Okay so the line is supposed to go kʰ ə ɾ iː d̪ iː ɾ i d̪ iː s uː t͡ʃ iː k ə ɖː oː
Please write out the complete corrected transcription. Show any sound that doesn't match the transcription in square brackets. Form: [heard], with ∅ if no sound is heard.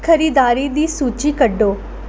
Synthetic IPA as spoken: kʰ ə ɾ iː d̪ [aː] ɾ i d̪ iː s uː t͡ʃ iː k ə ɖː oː